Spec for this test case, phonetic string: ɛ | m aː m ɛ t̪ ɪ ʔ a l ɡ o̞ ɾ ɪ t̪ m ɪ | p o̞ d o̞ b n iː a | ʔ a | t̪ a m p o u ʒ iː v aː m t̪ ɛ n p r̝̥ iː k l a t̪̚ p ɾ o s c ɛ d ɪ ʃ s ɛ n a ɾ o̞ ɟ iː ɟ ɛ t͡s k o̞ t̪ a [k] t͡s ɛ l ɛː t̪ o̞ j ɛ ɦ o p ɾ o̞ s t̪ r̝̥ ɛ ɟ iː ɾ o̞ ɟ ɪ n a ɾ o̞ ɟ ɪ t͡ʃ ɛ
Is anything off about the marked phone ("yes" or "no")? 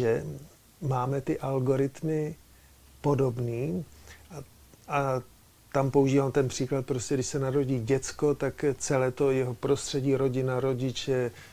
no